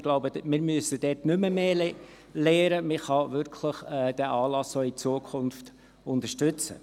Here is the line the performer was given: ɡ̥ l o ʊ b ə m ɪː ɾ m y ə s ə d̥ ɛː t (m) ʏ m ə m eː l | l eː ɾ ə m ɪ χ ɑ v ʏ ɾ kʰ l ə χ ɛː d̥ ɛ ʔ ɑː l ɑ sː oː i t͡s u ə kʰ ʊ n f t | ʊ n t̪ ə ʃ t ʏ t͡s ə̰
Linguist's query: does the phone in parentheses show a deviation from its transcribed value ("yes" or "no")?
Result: yes